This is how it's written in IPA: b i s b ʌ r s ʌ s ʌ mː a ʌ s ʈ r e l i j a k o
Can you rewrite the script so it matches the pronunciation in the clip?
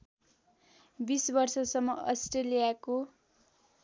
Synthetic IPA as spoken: b i s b ʌ r s ʌ s ʌ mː ʌ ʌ s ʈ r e l i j a k o